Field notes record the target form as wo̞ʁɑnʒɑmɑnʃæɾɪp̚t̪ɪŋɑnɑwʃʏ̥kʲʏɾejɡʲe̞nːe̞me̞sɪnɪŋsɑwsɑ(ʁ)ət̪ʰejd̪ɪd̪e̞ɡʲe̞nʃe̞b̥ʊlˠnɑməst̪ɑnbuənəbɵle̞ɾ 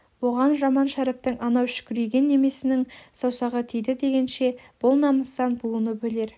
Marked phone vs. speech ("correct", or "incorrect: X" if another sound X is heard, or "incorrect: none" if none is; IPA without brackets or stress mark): correct